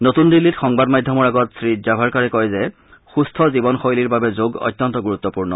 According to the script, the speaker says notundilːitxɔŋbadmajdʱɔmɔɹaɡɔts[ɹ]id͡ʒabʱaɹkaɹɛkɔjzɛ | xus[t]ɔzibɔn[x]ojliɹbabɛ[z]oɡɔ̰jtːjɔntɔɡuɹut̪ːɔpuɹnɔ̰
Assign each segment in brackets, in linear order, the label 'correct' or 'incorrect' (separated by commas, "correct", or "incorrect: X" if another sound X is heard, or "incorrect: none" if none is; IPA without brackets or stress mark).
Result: correct, incorrect: tʰ, correct, correct